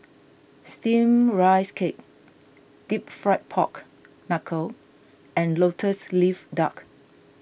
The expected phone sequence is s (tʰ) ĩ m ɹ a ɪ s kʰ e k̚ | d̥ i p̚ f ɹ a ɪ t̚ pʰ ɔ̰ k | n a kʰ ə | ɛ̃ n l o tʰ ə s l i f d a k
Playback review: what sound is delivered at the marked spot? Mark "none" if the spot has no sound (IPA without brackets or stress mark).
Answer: t